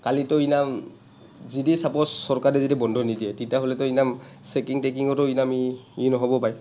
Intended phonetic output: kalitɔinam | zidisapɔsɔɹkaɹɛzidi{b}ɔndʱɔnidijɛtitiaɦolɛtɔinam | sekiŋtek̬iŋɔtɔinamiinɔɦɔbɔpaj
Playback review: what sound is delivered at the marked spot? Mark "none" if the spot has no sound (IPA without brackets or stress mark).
b